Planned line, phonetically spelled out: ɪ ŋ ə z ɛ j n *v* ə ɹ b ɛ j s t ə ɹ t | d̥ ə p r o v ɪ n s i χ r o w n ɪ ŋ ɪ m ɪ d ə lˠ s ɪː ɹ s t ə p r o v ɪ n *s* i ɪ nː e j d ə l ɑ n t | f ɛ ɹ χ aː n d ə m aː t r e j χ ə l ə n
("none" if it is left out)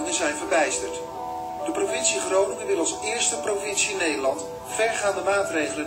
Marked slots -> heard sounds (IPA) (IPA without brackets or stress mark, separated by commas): v, s